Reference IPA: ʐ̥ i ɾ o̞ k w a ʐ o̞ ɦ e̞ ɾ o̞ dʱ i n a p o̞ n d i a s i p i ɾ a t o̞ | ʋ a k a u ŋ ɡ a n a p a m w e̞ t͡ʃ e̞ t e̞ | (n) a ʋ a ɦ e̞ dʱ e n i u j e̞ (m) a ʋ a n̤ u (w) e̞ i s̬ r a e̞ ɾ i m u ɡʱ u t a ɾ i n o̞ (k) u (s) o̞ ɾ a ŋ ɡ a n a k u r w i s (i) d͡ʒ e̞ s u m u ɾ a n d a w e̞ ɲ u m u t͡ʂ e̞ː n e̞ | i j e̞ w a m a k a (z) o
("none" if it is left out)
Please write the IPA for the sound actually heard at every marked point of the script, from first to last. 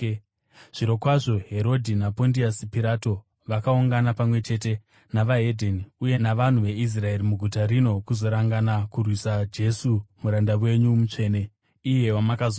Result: n, n, ʋ, k, z, a, z

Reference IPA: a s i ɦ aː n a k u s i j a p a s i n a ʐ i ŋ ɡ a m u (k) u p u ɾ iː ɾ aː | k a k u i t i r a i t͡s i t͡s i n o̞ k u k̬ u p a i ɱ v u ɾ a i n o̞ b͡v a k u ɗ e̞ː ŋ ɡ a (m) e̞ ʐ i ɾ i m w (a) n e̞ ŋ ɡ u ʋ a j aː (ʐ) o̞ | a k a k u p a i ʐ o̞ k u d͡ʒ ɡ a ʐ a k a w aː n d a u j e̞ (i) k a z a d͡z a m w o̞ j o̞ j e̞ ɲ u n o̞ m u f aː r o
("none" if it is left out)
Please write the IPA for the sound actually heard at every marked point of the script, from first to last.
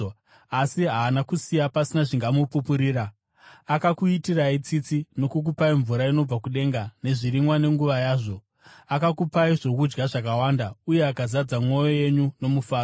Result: p, n, a, ʐ, a

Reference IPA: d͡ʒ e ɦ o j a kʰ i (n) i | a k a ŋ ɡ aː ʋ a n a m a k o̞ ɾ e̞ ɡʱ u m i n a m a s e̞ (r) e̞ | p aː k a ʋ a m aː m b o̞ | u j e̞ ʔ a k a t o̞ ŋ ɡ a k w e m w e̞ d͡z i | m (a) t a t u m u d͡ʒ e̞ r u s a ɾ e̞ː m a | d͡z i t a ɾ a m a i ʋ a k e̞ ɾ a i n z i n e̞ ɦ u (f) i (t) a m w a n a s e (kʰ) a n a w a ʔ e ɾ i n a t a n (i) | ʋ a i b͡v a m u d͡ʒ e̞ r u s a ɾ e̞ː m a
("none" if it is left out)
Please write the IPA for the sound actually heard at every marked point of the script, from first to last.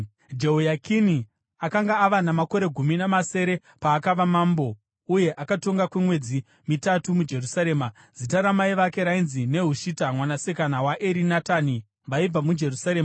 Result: n, ɾ, i, ʃ, t, k, i

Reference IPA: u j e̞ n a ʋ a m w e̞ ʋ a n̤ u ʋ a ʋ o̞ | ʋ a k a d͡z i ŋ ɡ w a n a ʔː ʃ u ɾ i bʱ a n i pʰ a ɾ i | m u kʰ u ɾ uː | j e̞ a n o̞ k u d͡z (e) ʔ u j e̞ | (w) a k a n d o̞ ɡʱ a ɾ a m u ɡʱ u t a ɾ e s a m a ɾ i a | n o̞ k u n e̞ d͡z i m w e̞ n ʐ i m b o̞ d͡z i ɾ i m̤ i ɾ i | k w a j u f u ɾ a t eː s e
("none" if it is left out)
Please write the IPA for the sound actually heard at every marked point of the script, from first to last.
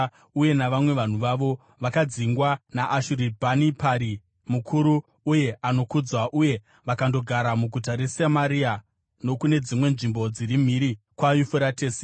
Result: a, ʋ

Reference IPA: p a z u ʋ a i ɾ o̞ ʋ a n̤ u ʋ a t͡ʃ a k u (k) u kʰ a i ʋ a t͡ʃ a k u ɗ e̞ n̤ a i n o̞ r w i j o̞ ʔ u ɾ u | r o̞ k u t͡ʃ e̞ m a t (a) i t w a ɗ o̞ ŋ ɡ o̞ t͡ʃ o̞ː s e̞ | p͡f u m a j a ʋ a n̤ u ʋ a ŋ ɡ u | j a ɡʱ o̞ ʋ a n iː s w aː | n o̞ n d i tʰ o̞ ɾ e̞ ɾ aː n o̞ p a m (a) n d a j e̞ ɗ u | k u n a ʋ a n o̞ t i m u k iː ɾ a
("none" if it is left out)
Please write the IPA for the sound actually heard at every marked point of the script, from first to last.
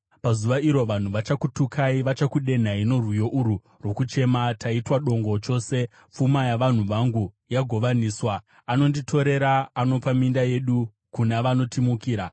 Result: t, a, i

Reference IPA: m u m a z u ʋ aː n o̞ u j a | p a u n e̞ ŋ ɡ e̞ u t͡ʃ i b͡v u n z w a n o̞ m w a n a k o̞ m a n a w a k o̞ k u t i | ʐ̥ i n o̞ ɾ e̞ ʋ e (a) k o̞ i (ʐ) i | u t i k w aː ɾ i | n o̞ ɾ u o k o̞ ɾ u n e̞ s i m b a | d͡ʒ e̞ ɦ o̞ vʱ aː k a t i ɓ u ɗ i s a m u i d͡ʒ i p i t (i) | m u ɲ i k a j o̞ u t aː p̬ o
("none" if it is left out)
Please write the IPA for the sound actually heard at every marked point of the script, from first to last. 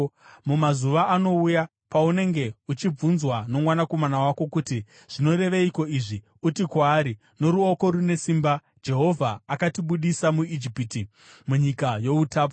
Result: i, ʐ, i

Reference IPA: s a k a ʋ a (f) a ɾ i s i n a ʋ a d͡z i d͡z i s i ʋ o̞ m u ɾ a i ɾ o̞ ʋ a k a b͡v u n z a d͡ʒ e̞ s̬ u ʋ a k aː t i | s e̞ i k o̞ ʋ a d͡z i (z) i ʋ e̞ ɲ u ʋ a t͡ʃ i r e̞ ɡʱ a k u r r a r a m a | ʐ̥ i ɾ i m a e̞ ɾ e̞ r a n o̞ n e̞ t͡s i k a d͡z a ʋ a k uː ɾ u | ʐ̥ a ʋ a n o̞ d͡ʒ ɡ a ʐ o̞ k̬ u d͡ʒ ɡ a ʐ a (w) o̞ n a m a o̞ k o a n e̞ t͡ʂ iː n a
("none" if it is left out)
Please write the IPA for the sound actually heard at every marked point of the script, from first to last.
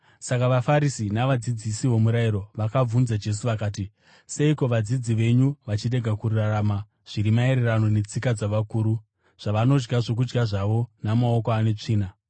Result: f, d͡z, ʋ

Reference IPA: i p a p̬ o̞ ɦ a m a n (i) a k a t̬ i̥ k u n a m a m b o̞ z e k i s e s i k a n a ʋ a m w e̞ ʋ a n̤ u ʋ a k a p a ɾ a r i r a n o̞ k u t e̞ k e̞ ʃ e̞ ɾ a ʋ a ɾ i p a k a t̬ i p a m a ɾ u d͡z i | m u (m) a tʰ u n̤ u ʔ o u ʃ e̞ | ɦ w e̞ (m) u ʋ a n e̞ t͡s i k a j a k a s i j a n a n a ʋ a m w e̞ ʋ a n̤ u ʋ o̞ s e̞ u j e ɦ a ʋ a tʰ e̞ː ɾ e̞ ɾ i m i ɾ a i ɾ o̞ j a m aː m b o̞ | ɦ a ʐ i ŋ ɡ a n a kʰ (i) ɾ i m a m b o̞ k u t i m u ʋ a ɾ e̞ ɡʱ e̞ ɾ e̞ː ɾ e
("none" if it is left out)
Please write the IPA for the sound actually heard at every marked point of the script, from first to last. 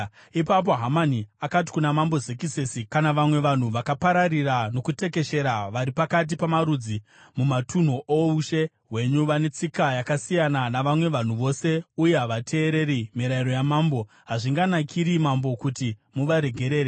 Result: i, m, ɲ, i

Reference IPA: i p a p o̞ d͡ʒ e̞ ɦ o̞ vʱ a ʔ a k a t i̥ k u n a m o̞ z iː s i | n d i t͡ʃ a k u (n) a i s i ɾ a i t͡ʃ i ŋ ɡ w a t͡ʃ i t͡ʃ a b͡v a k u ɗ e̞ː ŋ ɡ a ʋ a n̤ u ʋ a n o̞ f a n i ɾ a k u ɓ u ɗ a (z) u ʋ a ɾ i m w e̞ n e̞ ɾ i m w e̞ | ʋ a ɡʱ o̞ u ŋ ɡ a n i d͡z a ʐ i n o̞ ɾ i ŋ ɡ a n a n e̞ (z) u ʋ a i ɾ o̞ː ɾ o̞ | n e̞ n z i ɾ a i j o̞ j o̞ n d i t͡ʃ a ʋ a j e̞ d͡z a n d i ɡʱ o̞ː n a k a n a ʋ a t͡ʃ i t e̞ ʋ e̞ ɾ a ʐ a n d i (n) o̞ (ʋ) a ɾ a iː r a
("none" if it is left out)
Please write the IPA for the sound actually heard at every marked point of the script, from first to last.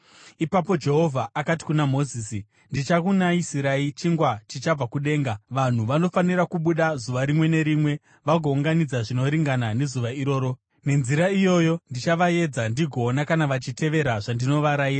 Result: n, z, z, n, ʋ

